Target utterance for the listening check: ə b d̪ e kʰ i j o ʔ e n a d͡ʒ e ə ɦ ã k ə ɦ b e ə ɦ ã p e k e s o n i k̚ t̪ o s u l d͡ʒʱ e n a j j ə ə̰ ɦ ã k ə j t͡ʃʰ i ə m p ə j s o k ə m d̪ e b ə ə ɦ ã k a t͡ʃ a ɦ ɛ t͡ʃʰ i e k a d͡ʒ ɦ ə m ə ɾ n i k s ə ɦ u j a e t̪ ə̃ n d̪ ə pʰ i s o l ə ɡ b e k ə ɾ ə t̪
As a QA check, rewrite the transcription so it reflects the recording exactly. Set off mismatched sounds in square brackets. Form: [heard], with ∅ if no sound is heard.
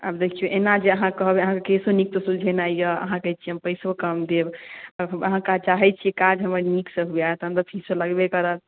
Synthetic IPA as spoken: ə b d̪ e kʰ i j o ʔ e n a d͡ʒ e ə ɦ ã k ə ɦ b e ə ɦ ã [k] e k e s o n i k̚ t̪ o s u l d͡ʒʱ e n a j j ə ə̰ ɦ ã k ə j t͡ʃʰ i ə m p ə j s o k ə m d̪ e b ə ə ɦ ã k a t͡ʃ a ɦ ɛ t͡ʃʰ i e k a d͡ʒ ɦ ə m ə ɾ n i k s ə ɦ u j a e t̪ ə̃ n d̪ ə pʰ i s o l ə ɡ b e k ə ɾ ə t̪